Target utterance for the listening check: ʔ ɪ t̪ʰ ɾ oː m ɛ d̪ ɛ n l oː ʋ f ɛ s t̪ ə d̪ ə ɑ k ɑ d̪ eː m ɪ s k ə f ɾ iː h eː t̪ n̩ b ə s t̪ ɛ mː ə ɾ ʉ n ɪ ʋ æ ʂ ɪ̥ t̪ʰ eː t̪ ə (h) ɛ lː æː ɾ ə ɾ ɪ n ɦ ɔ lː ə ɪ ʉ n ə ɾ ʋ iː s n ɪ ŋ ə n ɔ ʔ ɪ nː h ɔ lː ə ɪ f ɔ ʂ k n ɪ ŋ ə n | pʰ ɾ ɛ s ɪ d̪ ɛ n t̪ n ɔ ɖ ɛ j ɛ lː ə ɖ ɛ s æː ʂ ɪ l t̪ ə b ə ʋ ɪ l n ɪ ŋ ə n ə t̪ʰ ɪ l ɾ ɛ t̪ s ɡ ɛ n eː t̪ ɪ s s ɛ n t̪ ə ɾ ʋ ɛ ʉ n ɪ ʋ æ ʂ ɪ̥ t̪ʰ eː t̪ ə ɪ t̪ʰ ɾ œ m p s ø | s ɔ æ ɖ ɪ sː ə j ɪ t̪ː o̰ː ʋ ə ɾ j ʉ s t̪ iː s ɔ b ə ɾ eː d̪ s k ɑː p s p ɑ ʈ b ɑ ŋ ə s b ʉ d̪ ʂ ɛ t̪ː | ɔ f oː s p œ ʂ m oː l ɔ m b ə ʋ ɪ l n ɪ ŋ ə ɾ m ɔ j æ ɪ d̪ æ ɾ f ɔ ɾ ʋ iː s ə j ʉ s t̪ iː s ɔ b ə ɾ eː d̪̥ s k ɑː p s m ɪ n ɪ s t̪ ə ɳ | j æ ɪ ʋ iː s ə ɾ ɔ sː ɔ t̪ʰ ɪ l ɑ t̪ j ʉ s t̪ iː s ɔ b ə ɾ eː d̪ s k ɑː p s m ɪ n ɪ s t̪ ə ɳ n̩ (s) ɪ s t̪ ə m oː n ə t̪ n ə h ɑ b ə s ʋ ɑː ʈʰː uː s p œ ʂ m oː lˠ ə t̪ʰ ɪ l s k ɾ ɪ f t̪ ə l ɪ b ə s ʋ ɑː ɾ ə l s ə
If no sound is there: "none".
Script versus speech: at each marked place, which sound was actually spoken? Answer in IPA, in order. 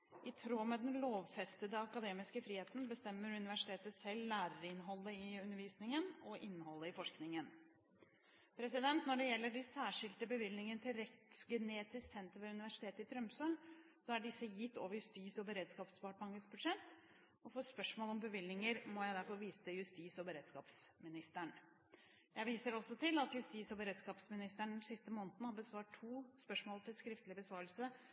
s, s

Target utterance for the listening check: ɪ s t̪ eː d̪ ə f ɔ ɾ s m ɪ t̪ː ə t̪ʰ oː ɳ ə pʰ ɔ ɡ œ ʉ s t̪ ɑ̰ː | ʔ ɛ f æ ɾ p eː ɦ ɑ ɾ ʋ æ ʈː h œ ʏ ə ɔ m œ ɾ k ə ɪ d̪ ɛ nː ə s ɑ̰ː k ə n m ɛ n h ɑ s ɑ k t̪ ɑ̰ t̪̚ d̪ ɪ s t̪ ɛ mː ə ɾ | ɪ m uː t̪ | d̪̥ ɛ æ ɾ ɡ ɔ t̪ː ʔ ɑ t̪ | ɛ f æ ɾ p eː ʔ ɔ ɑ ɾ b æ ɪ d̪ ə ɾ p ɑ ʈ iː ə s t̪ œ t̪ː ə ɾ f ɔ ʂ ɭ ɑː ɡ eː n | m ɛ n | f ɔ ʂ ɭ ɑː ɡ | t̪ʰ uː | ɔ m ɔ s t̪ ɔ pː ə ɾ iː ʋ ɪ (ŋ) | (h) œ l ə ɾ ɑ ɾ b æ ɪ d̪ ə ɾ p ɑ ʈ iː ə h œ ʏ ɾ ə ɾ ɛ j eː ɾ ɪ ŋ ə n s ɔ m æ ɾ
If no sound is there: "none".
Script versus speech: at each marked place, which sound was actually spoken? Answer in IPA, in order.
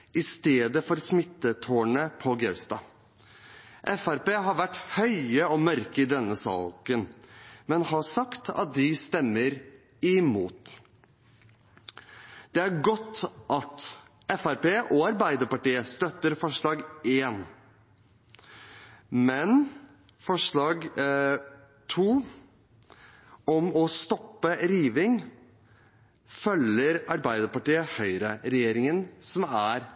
ŋ, f

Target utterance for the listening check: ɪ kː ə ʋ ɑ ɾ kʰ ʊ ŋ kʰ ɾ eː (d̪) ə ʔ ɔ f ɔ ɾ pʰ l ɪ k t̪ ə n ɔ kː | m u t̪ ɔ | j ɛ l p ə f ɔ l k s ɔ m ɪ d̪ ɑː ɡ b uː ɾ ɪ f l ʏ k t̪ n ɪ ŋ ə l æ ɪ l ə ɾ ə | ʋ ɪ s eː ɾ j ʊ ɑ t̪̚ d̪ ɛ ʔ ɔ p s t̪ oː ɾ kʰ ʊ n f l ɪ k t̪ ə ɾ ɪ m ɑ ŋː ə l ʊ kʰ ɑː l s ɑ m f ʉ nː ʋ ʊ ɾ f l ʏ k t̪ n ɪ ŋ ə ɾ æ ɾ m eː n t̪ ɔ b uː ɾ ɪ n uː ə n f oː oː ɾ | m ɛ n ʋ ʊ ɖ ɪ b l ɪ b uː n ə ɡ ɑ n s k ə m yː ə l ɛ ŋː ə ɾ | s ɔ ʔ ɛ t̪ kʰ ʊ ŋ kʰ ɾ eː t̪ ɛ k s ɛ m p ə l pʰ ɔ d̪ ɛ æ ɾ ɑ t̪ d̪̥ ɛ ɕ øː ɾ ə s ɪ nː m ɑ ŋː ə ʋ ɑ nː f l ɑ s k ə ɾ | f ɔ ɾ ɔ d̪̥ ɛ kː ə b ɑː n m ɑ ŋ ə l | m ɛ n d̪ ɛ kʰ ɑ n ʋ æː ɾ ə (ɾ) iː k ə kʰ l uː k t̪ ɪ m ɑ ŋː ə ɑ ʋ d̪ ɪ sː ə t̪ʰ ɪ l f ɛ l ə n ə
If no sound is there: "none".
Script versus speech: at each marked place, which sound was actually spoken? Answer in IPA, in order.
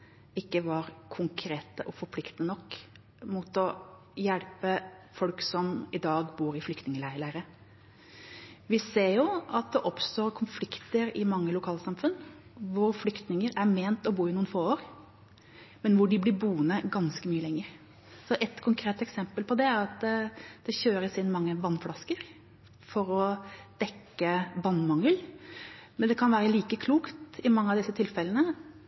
t̪, l

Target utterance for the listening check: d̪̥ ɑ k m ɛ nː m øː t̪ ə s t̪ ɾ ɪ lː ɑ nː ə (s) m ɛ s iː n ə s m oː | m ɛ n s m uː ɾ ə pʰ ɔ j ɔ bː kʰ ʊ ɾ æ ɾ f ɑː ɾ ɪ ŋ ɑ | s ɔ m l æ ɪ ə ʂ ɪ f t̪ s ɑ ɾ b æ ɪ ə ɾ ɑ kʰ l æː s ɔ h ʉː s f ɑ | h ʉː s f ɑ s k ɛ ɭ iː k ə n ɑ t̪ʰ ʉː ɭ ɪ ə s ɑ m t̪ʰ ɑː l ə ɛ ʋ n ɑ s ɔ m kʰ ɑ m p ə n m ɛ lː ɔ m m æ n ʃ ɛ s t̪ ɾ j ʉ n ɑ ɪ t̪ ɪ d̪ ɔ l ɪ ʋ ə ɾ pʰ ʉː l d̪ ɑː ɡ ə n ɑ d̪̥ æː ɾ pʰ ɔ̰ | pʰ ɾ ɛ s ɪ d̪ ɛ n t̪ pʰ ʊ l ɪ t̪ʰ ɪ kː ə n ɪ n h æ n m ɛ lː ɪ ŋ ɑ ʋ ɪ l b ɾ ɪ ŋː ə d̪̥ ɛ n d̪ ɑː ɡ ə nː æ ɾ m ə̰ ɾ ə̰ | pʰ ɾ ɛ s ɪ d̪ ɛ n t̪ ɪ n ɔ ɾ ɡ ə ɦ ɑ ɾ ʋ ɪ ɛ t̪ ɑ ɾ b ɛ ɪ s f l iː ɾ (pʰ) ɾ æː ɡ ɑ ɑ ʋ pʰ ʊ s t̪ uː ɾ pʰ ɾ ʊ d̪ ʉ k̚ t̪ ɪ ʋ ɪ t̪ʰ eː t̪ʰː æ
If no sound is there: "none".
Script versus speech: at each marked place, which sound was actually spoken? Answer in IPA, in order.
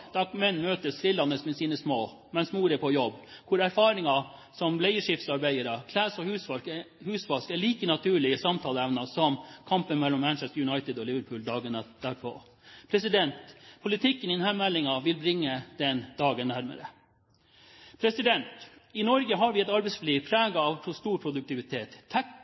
s, pʰ

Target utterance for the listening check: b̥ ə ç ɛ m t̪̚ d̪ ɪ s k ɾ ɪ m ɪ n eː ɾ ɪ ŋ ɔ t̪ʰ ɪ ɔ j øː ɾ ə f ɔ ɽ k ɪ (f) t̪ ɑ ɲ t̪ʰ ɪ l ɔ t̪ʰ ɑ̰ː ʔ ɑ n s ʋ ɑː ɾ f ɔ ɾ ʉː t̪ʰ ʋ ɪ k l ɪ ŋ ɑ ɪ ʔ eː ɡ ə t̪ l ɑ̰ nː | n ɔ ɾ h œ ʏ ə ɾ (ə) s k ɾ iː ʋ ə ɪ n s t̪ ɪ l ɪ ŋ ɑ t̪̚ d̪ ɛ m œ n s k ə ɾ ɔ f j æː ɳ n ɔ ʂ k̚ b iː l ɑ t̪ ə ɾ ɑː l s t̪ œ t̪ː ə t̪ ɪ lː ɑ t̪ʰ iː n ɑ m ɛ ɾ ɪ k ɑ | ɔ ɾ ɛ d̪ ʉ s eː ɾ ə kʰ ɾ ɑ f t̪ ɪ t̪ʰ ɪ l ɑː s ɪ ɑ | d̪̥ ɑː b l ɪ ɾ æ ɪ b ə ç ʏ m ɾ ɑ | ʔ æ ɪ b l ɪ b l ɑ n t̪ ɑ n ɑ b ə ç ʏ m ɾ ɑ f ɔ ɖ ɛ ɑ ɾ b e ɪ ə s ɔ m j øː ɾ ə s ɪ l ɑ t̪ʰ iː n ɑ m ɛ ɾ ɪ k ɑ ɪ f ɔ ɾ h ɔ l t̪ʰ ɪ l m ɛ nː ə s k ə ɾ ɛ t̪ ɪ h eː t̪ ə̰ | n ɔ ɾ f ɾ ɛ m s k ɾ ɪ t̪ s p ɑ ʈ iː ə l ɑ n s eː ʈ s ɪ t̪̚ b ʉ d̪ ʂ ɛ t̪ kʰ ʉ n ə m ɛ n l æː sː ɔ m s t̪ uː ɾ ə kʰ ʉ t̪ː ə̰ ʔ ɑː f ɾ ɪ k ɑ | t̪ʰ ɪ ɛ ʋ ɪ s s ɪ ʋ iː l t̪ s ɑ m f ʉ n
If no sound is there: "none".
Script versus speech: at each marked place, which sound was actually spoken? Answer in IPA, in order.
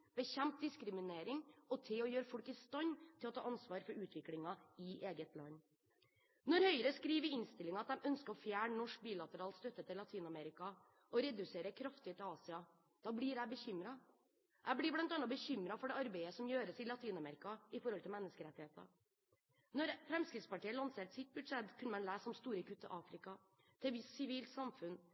s, ə

